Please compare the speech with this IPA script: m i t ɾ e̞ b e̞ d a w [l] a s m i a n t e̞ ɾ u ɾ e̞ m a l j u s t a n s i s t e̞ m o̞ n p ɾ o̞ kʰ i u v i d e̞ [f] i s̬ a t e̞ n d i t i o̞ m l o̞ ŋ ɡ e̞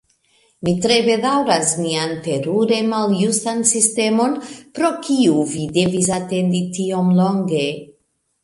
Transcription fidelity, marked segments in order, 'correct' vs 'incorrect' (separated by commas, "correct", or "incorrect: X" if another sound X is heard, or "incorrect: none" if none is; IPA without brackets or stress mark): incorrect: ɾ, incorrect: v